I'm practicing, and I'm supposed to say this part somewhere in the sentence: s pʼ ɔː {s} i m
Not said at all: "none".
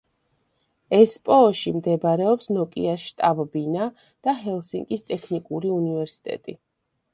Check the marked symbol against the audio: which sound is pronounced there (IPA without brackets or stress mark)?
ʃ